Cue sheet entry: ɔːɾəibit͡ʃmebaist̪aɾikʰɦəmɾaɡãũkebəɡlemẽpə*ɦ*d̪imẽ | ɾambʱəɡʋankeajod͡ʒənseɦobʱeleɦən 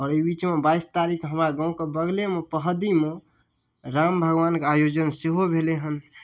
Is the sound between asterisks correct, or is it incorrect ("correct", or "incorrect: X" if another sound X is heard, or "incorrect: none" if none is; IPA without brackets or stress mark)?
correct